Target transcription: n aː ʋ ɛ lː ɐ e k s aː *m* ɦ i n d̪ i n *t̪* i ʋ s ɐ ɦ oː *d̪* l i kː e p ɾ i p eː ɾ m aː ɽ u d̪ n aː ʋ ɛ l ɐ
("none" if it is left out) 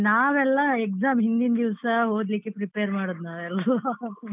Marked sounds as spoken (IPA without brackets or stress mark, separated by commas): m, d̪, d̪